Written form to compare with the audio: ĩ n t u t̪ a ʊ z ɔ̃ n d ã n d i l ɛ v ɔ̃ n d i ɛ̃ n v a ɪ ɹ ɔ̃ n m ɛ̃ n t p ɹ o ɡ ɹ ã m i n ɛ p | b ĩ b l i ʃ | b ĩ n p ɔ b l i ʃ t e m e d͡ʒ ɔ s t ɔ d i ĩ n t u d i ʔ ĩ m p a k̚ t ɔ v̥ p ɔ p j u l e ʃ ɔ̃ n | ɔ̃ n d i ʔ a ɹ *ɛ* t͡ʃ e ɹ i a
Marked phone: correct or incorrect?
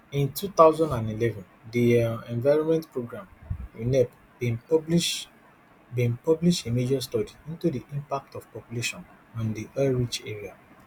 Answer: incorrect: i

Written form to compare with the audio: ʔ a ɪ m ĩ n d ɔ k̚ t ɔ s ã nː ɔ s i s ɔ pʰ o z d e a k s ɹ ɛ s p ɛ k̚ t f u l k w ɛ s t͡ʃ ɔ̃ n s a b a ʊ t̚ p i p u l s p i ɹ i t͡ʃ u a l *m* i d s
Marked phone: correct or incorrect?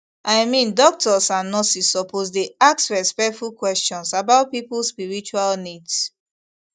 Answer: incorrect: n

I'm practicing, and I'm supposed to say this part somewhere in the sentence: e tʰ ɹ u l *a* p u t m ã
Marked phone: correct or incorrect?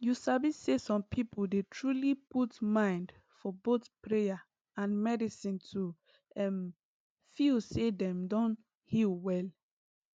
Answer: incorrect: i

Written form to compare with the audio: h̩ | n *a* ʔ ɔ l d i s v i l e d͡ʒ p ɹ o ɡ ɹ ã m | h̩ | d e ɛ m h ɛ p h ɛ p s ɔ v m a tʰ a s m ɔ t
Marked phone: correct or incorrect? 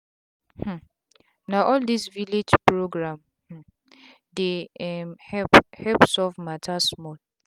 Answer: correct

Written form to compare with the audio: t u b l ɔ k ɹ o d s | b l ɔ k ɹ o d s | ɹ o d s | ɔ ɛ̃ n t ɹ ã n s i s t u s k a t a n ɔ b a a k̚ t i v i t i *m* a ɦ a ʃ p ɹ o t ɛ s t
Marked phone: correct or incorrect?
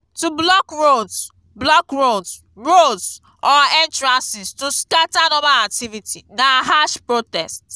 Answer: incorrect: n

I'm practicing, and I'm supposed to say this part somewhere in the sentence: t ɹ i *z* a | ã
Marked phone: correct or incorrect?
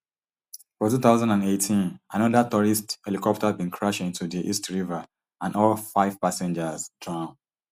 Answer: incorrect: v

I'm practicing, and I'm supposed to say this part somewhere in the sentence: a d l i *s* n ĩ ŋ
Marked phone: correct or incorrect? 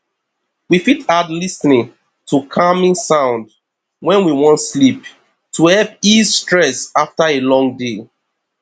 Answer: correct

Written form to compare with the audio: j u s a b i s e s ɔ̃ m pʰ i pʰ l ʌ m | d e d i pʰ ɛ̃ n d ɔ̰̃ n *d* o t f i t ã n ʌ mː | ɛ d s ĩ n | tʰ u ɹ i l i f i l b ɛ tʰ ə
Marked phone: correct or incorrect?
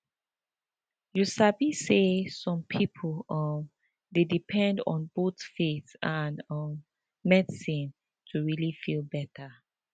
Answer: incorrect: b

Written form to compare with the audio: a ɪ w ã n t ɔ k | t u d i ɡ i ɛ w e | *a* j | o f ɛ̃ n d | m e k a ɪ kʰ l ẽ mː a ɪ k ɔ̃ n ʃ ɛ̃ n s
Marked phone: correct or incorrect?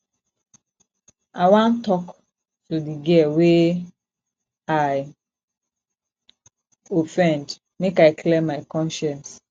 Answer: correct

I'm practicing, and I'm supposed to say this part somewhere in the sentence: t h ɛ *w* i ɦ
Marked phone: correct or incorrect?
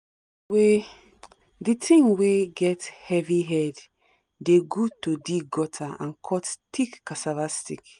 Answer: incorrect: v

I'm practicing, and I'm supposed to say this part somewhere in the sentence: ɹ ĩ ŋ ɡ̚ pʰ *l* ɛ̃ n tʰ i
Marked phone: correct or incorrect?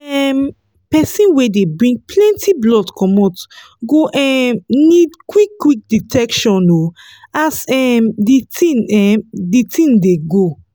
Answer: correct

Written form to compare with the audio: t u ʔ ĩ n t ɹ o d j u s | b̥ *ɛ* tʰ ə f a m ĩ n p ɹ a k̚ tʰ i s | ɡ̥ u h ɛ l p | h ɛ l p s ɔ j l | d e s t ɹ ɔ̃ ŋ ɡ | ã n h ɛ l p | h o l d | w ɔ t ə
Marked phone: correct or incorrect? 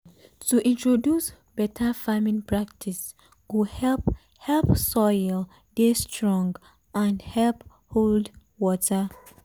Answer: correct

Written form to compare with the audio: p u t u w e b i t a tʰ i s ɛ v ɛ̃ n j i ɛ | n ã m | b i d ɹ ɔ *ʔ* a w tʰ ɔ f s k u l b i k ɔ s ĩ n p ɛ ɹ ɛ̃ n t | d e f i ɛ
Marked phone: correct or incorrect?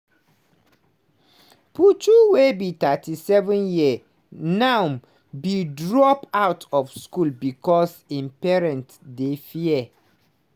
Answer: incorrect: p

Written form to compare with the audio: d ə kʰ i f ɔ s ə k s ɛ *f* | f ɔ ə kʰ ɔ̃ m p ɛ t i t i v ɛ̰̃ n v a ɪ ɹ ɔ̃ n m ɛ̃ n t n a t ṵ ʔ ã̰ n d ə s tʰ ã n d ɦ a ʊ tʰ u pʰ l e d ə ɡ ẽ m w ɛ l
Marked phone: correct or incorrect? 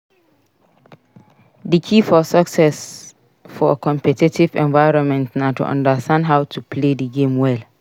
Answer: incorrect: s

